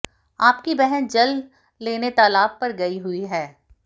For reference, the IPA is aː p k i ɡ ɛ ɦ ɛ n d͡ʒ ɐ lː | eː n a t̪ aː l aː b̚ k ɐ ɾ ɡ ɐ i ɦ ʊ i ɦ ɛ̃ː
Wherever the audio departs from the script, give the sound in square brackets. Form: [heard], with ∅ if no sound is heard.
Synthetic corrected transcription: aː p k i [b] ɛ ɦ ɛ n d͡ʒ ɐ lː | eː n [e] t̪ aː l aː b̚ [p] ɐ ɾ ɡ ɐ i ɦ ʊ i ɦ [ɛː]